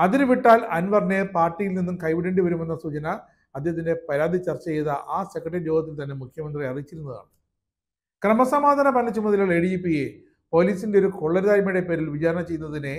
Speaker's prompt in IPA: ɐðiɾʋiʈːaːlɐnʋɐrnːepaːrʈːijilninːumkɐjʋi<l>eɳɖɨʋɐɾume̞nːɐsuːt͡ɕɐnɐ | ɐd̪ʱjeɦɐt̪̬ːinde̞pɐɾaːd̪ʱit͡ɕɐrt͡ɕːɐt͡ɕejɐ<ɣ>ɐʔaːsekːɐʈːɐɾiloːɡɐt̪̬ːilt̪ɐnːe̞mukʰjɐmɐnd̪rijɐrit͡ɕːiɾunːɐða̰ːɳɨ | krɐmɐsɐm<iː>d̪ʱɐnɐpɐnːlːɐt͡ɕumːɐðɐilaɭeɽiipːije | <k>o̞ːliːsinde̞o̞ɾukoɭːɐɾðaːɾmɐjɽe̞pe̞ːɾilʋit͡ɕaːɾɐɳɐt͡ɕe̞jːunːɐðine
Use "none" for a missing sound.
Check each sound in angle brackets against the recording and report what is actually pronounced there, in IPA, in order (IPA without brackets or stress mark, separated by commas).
ɽ, ð, aː, p